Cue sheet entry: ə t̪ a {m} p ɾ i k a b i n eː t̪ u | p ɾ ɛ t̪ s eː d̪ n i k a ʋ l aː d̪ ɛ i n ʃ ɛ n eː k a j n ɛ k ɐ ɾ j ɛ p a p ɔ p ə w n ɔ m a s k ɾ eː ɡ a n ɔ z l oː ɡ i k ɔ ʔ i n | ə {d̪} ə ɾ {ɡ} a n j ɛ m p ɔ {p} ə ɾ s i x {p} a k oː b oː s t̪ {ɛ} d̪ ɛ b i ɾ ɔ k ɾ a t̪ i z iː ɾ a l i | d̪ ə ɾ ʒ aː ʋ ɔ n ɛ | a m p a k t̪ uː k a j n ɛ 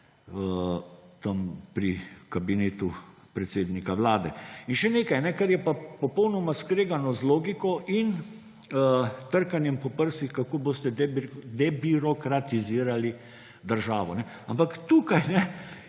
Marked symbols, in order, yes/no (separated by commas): yes, no, no, yes, no, yes